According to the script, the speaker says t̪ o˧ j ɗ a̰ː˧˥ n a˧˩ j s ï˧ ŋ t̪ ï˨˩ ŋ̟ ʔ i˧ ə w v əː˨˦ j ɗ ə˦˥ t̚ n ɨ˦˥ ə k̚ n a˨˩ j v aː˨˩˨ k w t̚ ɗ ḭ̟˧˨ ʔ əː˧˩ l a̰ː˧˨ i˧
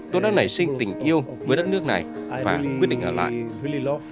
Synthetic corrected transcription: t̪ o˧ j ɗ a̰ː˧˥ n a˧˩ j s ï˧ ŋ t̪ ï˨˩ ŋ̟ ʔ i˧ ə w v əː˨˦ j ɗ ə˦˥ t̚ n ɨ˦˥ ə k̚ n a˨˩ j v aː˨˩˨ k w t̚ ɗ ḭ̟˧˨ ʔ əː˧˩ l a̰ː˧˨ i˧

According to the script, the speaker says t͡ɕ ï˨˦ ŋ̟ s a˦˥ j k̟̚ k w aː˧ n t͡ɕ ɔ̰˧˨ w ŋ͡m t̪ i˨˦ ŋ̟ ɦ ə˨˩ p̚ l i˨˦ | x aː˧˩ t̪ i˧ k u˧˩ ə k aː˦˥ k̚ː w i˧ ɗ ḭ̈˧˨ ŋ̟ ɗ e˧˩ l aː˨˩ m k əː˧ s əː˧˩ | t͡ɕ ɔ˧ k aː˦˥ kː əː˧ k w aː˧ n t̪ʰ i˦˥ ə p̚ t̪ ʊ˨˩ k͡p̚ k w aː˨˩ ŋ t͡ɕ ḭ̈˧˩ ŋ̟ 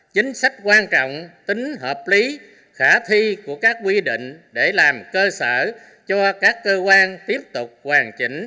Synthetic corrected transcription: t͡ɕ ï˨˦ ŋ̟ s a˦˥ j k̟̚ k w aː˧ n t͡ɕ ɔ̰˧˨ w ŋ͡m t̪ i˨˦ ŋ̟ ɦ əː˨˩ p̚ l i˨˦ | x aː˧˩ t̪ʰ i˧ k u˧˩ ə k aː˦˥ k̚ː w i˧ ɗ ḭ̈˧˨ ŋ̟ ɗ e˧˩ l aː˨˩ m k əː˧ s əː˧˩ | t͡ɕ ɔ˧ k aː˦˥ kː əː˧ k w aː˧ n t̪ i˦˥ ə p̚ t̪ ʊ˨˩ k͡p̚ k w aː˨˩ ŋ t͡ɕ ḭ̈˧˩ ŋ̟

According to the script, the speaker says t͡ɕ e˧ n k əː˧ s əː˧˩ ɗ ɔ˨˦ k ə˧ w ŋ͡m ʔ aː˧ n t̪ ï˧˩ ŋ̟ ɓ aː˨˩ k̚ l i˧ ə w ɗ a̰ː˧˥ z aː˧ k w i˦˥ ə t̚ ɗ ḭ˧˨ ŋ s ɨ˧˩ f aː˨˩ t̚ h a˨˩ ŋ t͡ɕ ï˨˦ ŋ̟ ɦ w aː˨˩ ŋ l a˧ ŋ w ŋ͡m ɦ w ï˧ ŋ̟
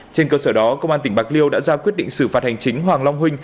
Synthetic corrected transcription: t͡ɕ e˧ n k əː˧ s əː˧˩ ɗ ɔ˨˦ k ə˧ w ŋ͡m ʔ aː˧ n t̪ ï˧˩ ŋ̟ ɓ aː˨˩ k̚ l i˧ ə w ɗ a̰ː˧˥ z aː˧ k w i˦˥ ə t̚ ɗ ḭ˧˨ ŋ s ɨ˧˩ f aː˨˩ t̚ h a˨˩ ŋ t͡ɕ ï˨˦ ŋ̟ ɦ w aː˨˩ ŋ l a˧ w ŋ͡m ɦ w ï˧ ŋ̟

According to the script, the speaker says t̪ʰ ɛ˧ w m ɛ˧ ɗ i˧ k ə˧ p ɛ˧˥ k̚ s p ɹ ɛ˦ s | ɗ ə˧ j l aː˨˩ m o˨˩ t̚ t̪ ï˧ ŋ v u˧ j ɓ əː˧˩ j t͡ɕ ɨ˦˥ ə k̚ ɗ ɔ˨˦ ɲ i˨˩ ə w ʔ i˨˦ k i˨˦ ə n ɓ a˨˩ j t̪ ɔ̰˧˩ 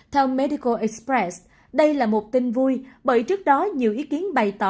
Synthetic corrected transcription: t̪ʰ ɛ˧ w m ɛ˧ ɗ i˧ k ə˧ ʔ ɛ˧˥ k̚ s p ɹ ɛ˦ s | ɗ ə˧ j l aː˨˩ m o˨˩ t̚ t̪ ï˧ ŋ v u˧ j ɓ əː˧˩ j t͡ɕ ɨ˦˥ ə k̚ ɗ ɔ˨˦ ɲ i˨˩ ə w ʔ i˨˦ k i˨˦ ə n ɓ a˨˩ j t̪ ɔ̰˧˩

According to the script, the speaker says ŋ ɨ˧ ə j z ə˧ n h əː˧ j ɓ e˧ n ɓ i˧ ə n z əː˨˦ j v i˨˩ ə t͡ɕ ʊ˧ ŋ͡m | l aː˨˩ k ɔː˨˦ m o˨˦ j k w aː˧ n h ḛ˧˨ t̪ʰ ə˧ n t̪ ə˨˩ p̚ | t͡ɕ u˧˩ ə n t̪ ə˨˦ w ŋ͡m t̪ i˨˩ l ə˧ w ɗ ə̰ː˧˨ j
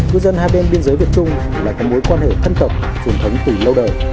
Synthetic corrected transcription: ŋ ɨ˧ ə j z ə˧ n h aː˧ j ɓ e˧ n ɓ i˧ ə n z əː˨˦ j v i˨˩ ə t͡ɕ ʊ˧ ŋ͡m | l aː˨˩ k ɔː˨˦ m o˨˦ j k w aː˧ n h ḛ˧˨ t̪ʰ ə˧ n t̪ ə˨˩ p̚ | t͡ɕ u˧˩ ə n t̪ʰ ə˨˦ w ŋ͡m t̪ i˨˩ l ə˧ w ɗ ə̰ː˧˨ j

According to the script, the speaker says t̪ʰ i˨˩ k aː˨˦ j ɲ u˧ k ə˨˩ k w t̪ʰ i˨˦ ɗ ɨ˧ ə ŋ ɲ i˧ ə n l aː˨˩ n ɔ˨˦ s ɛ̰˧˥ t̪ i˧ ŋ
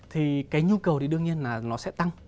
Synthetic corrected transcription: t̪ʰ i˨˩ k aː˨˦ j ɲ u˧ k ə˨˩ w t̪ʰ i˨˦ ɗ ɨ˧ ə ŋ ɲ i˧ ə n l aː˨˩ n ɔ˨˦ s ɛ̰˧˥ t̪ a˧ ŋ

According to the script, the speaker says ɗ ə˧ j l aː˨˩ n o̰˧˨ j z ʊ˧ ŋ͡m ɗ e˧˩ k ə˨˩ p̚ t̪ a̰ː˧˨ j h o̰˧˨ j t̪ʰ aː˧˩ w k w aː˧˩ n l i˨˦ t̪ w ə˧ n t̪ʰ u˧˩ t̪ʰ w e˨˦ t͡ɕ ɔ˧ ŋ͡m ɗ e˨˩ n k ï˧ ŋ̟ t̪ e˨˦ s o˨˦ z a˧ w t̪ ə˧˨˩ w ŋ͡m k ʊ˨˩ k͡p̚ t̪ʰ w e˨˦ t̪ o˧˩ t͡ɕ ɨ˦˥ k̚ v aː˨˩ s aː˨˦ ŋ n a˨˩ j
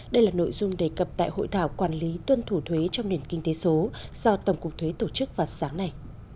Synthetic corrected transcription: ɗ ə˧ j l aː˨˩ n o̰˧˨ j z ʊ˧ ŋ͡m ɗ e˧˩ k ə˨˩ p̚ t̪ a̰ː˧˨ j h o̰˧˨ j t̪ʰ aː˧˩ w k w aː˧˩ n l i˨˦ t̪ w ə˧ n t̪ʰ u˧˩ t̪ʰ w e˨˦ t͡ɕ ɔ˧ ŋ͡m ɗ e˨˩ n k ï˧ ŋ̟ t̪ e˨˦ s o˨˦ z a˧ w t̪ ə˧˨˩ w ŋ͡m k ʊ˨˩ k͡p̚ t̪ʰ w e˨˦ t̪ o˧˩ t͡ɕ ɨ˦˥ k̚ v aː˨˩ s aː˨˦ ŋ n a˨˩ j

